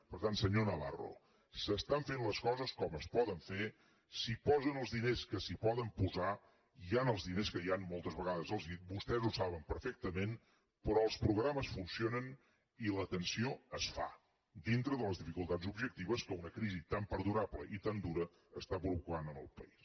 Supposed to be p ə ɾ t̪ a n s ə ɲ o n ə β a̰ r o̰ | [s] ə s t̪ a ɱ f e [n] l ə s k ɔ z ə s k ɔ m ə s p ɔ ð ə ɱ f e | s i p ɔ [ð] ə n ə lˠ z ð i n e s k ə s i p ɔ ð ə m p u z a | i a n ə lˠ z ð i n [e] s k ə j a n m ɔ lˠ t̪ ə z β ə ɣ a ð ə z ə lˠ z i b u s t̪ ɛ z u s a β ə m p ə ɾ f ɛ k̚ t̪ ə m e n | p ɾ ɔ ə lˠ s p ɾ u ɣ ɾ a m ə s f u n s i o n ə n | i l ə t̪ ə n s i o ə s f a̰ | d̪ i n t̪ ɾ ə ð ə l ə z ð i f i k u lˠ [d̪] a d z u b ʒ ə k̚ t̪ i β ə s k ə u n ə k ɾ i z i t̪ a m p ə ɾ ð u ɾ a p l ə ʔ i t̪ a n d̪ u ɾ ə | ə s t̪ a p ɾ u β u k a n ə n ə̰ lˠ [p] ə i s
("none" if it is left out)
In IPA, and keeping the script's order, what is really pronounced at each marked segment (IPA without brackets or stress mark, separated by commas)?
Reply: s, n, z, e, t̪, p